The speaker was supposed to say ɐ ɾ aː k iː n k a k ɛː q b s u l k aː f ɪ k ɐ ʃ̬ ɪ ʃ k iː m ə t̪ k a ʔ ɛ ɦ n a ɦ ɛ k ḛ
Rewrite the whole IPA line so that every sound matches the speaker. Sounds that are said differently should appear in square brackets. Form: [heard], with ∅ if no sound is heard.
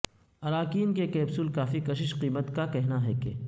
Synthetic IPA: ɐ ɾ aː k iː n k [e] k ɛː [∅] b s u l k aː f [i] k ɐ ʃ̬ ɪ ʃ [q] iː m ə t̪ k a [k] ɛ ɦ n a ɦ ɛ k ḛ